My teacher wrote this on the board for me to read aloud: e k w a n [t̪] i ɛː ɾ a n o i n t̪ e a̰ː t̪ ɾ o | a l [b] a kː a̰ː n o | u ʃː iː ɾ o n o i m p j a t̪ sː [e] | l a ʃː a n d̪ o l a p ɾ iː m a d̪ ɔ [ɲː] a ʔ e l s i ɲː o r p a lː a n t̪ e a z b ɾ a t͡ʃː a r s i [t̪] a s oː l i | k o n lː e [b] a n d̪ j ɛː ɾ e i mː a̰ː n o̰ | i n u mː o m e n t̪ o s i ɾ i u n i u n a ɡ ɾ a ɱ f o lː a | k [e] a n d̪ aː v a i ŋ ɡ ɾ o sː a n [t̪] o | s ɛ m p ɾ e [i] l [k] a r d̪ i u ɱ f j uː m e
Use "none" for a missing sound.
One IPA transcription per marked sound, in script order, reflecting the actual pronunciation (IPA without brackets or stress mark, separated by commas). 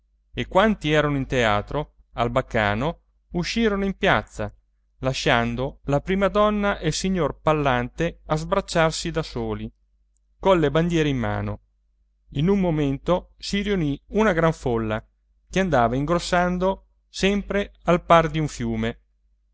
t̪, b, a, nː, d̪, b, e, d̪, a, p